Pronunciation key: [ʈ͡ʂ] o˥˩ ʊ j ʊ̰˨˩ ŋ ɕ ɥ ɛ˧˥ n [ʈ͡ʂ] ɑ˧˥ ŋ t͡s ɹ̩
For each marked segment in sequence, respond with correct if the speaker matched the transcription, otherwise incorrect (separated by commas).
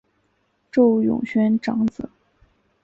correct, correct